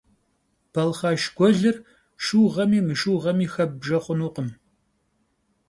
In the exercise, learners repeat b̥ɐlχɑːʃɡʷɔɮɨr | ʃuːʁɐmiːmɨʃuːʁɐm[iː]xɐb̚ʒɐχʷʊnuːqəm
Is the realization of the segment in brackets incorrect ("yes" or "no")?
no